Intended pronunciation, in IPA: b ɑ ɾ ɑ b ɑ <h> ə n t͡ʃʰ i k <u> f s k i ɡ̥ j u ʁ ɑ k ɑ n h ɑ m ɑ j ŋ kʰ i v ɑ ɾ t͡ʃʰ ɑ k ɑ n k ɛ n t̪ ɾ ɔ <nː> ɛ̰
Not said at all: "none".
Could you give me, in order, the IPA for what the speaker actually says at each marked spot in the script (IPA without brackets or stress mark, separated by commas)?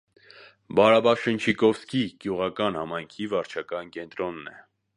ʃ, ɔ, nː